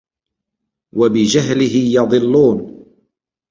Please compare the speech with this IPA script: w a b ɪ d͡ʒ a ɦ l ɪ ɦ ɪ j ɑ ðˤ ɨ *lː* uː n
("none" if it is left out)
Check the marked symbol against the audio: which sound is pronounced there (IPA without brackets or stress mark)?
lː